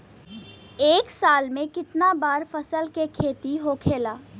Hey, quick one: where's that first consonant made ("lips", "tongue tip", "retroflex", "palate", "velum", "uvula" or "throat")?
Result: velum